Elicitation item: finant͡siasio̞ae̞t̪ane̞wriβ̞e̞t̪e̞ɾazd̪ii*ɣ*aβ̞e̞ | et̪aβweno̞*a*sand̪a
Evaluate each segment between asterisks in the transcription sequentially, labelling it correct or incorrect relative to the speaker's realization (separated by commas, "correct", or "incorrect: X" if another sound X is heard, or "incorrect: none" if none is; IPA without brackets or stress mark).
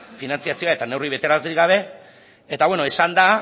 correct, incorrect: e